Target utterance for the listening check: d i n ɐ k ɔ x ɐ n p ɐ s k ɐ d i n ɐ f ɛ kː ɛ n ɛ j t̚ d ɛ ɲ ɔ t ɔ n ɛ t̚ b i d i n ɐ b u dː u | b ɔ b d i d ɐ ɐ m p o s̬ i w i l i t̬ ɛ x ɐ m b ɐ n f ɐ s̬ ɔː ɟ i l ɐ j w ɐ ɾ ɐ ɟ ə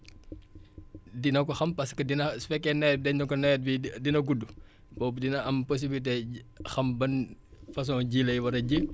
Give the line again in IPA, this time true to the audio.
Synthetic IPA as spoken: d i n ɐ k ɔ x ɐ m p ɐ s k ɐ d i n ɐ f ɛ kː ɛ n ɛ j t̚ d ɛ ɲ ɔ k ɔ n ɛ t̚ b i d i n ɐ ɡ u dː u | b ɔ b d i n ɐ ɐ m p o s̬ i b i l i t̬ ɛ x ɐ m b ɐ n f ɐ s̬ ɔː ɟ i l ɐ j w ɐ ɾ ɐ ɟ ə

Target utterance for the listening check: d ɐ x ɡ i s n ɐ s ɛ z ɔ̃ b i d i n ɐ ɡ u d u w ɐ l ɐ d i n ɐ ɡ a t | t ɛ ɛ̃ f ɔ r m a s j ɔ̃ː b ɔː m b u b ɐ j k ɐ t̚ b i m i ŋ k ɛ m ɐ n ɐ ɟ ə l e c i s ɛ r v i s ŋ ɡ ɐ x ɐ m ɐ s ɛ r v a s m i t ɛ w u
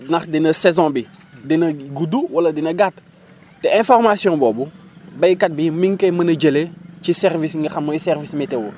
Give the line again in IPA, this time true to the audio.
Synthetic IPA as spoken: n ɐ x d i n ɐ s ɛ z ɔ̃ b i d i n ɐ ɡ u d u w ɐ l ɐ d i n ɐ ɡ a t | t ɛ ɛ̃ f ɔ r m a s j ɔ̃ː b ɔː b u b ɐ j k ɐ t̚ b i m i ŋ k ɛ m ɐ n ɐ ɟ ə l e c i s ɛ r v i s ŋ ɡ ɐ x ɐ m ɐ s ɛ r v i s m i t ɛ w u

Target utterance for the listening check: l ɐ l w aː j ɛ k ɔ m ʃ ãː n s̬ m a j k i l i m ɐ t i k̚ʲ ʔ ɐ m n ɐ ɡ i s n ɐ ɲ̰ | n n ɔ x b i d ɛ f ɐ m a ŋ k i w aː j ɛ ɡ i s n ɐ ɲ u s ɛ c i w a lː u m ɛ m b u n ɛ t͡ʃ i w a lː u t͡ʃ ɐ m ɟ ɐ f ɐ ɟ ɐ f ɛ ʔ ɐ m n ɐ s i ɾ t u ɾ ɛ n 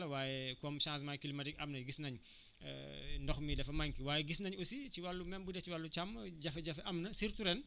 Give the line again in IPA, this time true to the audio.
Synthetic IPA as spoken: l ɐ w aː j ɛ k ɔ m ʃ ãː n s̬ m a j k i l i m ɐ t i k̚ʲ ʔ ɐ m n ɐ ɡ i s n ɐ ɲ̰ | n d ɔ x m i d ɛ f ɐ m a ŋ k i w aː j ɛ ɡ i s n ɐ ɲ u s i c i w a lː u m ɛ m b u d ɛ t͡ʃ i w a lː u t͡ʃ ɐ m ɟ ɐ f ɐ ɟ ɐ f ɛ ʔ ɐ m n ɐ s i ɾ t u ɾ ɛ n

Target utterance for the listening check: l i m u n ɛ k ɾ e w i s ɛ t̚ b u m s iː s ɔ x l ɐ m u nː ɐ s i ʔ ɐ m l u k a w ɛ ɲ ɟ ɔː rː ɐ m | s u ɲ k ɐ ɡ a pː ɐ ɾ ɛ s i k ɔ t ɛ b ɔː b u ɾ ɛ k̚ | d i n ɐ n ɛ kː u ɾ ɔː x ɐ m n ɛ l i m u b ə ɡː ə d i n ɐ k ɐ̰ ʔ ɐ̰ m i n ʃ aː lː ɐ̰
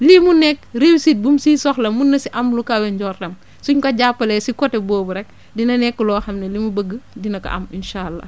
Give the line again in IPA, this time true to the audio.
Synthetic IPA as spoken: l i m u n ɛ k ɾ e w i s i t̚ b u m s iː s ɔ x l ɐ m u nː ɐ s i ʔ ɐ m l u k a w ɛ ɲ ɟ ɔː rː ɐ m | s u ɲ k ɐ ɟ a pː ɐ l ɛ s i k ɔ t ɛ b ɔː b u ɾ ɛ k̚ | d i n ɐ n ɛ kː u l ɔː x ɐ m n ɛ l i m u b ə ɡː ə d i n ɐ k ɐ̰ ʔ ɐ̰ m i n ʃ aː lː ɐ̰

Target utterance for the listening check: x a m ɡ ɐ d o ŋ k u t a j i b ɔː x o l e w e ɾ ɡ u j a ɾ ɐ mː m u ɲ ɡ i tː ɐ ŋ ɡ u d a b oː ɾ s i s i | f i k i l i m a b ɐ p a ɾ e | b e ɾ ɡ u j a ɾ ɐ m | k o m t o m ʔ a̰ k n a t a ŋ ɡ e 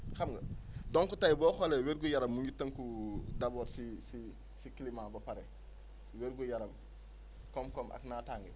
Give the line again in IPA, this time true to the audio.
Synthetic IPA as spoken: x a m ɡ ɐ d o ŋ k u t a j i b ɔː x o l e w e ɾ ɡ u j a ɾ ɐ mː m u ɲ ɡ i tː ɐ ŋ k u d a b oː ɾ s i s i | s i k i l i m a b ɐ p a ɾ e | w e ɾ ɡ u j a ɾ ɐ m | k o m k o m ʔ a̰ k n a t a ŋ ɡ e

